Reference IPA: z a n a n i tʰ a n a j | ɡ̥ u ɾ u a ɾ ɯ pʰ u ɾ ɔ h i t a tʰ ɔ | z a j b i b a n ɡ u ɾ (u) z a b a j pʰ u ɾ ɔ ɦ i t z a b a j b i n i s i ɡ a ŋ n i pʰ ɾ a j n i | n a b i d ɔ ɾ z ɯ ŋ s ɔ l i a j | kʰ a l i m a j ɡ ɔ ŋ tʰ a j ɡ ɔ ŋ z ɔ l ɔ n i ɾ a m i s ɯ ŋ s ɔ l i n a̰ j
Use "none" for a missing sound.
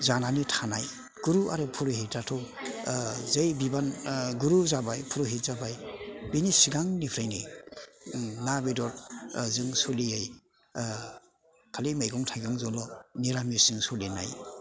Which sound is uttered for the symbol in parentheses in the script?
u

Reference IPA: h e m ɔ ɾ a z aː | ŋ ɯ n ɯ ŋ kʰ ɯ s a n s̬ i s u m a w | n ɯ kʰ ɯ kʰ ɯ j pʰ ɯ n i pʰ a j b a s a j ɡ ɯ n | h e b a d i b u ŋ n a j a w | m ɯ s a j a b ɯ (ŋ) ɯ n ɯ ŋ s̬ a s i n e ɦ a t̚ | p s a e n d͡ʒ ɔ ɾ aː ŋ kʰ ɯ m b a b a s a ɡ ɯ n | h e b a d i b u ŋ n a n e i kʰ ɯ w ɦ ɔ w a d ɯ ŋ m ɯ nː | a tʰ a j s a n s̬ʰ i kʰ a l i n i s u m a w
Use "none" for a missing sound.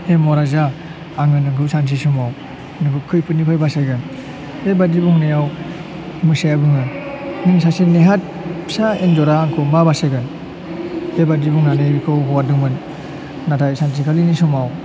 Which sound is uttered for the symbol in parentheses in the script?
ŋ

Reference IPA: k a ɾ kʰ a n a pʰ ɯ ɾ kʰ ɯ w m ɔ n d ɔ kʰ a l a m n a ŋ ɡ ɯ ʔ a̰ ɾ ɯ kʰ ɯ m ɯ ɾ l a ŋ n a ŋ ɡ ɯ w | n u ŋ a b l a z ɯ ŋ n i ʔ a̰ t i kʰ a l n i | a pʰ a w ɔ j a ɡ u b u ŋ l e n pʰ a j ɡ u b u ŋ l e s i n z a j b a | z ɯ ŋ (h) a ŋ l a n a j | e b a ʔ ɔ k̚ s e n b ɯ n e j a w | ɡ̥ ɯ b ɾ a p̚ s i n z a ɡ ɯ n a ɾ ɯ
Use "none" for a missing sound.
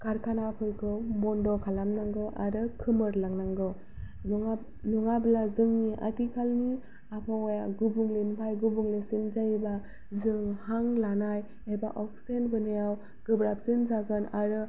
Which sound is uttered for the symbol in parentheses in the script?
h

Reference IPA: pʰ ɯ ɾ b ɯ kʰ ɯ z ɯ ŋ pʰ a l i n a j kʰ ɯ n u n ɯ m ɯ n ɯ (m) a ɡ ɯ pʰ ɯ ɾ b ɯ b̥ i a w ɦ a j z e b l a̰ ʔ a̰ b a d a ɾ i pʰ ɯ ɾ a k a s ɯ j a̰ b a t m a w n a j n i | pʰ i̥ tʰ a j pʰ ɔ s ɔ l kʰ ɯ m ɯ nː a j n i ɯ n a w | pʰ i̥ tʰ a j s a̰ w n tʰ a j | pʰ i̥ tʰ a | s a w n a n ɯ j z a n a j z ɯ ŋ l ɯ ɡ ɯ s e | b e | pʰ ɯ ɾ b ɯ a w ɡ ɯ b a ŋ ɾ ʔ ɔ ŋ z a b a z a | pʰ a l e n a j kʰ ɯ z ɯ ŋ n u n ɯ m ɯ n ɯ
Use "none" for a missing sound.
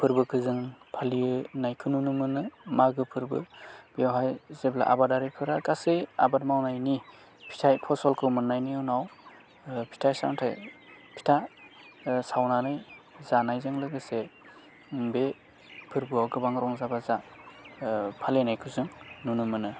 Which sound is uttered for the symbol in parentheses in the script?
m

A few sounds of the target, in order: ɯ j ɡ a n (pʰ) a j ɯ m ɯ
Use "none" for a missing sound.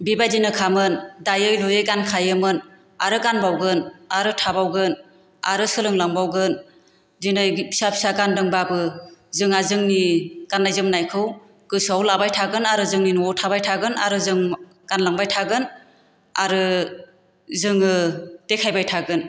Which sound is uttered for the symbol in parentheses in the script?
kʰ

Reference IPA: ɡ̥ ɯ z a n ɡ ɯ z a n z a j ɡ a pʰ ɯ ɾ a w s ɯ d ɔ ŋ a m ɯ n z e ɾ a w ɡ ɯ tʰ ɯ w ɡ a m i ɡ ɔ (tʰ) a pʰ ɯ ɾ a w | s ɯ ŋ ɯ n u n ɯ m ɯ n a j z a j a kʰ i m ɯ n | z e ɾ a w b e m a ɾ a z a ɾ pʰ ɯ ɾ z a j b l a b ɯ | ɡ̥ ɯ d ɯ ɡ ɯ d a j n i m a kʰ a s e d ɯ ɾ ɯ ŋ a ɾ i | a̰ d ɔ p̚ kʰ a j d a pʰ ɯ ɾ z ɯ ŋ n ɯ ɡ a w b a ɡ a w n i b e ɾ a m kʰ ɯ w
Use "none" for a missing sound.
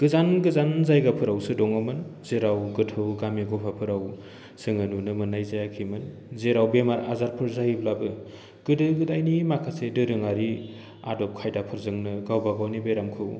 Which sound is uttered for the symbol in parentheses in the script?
pʰ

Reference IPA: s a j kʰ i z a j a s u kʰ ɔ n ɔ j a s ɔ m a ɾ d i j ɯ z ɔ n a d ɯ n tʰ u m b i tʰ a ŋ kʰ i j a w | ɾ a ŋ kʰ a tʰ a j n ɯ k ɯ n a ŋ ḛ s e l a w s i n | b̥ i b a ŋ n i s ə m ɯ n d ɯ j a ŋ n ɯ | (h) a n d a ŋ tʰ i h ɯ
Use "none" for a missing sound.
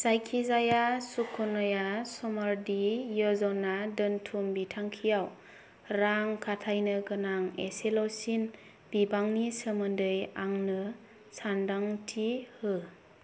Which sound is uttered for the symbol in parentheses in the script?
s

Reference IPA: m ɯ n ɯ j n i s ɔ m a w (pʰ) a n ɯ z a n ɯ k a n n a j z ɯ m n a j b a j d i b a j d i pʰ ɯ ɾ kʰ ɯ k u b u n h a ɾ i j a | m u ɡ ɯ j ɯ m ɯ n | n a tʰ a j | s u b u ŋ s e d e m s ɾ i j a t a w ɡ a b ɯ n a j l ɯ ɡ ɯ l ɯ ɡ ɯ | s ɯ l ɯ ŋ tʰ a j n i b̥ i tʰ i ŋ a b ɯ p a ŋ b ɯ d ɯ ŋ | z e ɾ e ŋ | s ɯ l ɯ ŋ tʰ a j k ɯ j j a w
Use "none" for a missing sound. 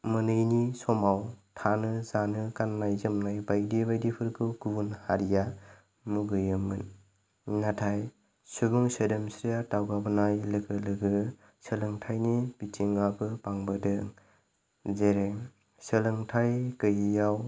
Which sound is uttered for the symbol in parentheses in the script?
tʰ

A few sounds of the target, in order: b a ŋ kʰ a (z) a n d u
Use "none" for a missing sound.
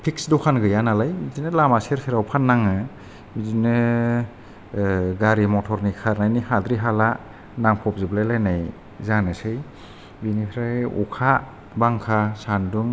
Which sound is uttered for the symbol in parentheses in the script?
s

